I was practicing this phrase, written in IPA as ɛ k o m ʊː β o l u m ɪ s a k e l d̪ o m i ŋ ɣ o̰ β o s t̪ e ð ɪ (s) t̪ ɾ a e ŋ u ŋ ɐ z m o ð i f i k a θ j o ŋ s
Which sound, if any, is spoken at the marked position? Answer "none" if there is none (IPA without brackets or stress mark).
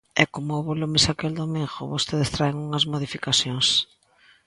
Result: s